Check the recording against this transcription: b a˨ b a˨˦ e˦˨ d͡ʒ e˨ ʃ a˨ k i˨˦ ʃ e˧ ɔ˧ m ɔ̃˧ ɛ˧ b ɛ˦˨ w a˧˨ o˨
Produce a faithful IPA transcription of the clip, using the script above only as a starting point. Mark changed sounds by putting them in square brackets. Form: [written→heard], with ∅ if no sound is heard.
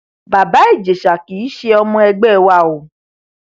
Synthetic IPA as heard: b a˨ b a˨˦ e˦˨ d͡ʒ e˨ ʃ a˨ k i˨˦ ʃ e˧ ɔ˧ m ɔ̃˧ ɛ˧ [b→ɡ͡b] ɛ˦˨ w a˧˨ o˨